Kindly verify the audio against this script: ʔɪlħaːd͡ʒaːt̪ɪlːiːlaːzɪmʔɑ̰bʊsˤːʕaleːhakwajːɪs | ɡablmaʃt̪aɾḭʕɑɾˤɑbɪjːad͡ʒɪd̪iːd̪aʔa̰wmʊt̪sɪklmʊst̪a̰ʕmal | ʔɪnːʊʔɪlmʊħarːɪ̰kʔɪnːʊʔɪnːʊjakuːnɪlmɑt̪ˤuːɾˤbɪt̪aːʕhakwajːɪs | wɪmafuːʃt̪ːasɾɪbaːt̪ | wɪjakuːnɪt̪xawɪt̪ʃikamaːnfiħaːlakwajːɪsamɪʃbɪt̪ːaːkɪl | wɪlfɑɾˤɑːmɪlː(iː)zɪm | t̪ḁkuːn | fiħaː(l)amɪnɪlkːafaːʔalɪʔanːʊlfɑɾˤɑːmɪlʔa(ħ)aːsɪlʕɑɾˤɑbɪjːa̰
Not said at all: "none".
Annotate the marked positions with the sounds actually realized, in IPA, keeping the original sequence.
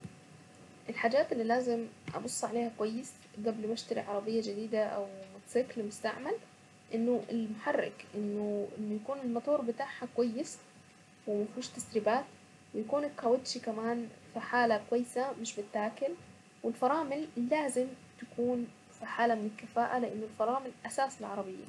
aː, l, s

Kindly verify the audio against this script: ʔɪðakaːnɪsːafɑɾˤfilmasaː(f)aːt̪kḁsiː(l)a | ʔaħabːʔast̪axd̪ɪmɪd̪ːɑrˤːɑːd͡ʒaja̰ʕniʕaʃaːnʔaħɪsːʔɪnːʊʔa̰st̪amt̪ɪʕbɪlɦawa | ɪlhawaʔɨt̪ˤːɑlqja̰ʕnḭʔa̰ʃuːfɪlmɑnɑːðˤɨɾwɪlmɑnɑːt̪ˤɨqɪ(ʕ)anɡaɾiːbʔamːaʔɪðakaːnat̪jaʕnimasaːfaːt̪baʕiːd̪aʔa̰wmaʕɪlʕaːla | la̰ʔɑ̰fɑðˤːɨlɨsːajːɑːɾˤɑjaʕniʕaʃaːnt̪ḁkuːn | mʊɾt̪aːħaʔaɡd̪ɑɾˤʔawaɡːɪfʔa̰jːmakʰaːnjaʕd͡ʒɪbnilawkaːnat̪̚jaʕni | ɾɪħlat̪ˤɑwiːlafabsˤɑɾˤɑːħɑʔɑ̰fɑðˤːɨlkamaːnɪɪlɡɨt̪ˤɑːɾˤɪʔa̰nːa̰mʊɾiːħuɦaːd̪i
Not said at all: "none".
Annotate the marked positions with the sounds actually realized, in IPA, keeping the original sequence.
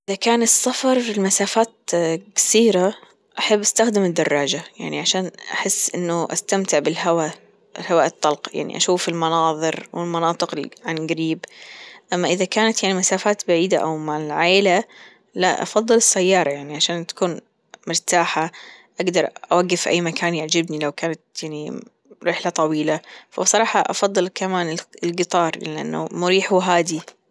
f, ɾ, ʕ

